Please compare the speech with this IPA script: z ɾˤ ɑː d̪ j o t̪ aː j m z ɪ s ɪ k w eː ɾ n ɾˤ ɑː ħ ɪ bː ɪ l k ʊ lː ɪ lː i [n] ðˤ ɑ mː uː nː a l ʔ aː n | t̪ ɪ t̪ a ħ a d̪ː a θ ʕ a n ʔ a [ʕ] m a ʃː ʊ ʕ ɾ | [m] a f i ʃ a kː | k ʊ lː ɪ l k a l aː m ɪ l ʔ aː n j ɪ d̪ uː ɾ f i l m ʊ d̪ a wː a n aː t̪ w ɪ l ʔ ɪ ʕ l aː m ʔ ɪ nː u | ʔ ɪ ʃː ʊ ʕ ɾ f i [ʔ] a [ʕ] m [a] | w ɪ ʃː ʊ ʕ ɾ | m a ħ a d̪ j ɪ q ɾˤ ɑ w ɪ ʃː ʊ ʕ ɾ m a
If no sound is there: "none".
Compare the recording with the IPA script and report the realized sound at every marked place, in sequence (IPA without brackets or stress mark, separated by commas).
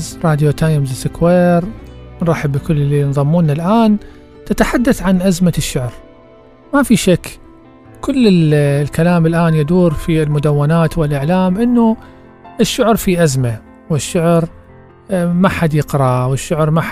n, z, m, ʔ, z, a